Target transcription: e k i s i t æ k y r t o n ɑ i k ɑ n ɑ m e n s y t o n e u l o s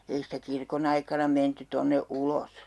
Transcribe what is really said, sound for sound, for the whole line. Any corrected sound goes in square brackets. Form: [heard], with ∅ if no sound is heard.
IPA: e [∅] i s i t æ k [i] r [k] o n ɑ i k ɑ n ɑ m e n [t] y t o [nː] e u l o s